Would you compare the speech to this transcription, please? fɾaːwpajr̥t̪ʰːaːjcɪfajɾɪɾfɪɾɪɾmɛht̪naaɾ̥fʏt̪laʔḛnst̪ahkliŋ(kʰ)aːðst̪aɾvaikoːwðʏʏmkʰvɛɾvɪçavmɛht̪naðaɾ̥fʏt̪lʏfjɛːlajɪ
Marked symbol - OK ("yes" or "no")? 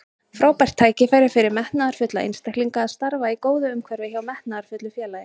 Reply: no